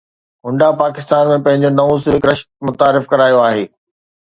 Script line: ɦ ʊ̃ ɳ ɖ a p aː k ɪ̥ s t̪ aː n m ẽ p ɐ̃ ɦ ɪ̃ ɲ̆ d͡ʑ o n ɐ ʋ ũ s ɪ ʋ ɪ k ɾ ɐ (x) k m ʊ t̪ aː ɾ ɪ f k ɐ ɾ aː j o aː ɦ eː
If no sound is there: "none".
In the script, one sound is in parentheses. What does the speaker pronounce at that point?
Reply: ʃ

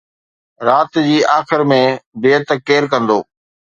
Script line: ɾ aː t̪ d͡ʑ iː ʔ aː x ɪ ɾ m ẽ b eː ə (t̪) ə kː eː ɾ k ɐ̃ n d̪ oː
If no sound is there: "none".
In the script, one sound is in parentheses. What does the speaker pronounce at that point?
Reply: t̪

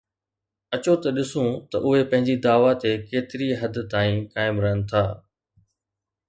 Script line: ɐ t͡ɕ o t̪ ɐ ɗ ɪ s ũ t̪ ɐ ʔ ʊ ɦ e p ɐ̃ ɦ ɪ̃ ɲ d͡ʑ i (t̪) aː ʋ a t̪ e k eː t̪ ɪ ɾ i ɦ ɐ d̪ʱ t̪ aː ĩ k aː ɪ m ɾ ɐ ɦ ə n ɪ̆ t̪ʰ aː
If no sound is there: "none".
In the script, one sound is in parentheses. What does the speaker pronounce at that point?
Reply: d̪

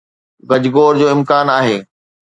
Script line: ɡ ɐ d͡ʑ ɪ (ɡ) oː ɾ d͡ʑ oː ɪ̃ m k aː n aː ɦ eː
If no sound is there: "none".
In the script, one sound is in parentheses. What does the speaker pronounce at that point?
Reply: ɡ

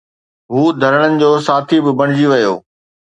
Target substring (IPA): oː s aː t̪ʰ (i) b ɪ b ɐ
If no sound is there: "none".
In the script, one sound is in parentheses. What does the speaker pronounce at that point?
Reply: i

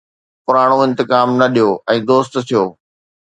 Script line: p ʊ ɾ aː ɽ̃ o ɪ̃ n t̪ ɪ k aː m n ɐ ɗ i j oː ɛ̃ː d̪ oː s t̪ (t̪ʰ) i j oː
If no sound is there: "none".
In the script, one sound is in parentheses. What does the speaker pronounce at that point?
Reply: t̪ʰ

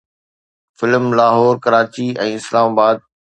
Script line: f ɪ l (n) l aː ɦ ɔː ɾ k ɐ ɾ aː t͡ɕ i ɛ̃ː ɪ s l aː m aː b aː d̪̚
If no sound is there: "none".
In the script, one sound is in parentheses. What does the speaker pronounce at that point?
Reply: m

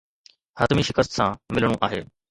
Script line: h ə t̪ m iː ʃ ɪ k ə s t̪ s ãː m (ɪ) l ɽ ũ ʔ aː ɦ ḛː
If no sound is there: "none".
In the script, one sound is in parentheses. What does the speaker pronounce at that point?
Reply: ɪ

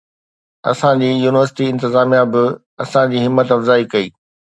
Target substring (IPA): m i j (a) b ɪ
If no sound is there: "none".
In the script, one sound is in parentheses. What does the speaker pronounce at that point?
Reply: a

